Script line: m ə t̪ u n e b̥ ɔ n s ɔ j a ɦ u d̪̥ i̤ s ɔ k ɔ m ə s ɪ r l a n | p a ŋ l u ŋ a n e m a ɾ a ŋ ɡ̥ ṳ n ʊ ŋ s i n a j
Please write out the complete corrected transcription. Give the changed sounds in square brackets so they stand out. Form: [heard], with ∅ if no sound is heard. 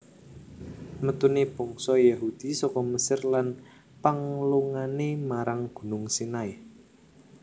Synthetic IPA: m ə t̪ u n e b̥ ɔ [ŋ] s ɔ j a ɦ u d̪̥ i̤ s ɔ k ɔ m ə s ɪ r l a n | p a ŋ l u ŋ a n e m a ɾ a ŋ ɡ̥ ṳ n ʊ ŋ s i n a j